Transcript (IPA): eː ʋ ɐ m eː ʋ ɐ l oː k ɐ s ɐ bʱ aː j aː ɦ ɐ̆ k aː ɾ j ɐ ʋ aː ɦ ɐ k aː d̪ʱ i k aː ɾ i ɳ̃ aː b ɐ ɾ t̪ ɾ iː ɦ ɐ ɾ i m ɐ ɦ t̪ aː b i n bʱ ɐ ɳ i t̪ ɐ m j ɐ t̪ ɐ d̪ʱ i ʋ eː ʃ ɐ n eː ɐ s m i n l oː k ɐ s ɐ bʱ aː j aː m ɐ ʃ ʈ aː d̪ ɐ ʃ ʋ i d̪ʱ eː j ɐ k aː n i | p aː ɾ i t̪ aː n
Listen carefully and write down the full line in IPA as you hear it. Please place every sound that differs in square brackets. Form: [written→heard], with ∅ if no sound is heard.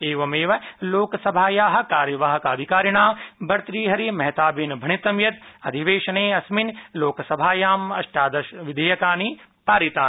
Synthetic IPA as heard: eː ʋ ɐ m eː ʋ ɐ l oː k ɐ s ɐ bʱ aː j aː ɦ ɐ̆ k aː ɾ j ɐ ʋ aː ɦ ɐ k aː d̪ʱ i k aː ɾ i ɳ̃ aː b ɐ ɾ t̪ ɾ iː ɦ ɐ ɾ i m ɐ ɦ t̪ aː b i n bʱ ɐ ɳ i t̪ ɐ m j ɐ t̪ ɐ d̪ʱ i ʋ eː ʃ ɐ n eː ɐ s m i n l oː k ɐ s ɐ bʱ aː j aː m ɐ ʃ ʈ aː d̪ ɐ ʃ ʋ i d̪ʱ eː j ɐ k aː n i | p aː ɾ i t̪ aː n